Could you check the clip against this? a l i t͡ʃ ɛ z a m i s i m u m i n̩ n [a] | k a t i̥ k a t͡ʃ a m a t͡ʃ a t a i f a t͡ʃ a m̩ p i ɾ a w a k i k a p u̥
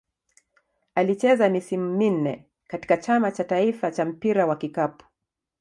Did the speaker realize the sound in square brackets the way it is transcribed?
no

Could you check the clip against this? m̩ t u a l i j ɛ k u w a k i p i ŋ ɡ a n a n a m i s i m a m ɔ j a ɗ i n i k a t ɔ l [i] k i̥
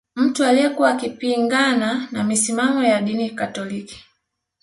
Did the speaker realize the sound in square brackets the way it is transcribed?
yes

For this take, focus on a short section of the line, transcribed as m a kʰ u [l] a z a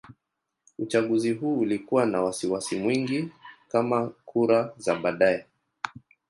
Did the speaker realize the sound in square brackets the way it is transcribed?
no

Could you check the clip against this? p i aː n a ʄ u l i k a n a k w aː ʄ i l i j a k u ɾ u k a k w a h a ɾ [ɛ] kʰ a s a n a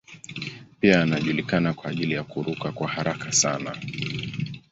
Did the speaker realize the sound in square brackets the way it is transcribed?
no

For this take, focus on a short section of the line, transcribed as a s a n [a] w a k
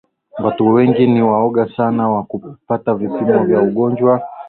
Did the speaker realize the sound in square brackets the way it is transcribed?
yes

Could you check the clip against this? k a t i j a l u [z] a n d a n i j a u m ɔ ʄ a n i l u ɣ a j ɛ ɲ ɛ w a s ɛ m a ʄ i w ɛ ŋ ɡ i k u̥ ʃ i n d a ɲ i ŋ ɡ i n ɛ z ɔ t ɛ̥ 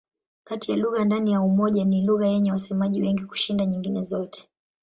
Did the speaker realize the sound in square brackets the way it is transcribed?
no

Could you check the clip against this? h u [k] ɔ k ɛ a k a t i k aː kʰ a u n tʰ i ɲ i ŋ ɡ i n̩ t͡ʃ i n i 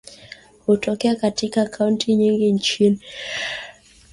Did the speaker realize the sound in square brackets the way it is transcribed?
no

